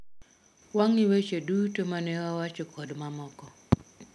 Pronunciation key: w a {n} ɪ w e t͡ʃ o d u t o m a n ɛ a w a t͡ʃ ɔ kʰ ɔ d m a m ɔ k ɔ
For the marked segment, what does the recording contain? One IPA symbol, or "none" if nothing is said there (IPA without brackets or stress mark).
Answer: ŋ